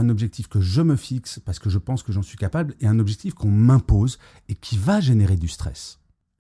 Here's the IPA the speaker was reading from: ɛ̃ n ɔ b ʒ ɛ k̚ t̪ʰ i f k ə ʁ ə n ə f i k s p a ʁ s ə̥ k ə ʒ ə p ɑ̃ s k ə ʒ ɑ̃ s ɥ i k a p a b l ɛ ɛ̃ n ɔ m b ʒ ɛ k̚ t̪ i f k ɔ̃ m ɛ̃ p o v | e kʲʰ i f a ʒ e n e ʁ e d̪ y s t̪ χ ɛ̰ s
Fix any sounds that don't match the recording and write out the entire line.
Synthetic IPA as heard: ɛ̃ n ɔ b ʒ ɛ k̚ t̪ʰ i f k ə ʒ ə m ə f i k s p a ʁ s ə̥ k ə ʒ ə p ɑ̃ s k ə ʒ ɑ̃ s ɥ i k a p a b l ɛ ɛ̃ n ɔ b ʒ ɛ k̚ t̪ i f k ɔ̃ m ɛ̃ p o z | e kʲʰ i v a ʒ e n e ʁ e d̪ y s t̪ χ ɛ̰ s